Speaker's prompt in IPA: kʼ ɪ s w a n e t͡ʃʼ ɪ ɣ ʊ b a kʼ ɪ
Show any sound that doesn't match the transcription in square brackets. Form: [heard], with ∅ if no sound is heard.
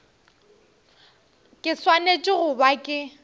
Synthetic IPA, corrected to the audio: kʼ ɪ s w a n e t͡ʃʼ ɪ ɣ ʊ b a kʼ ɪ